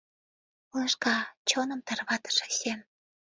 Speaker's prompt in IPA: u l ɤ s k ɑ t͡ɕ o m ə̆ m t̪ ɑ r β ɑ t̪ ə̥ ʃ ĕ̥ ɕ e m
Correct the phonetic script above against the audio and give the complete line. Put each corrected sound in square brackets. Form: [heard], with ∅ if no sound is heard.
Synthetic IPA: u l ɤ [ʃ] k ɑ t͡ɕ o [n] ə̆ m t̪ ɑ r β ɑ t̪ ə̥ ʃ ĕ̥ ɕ e m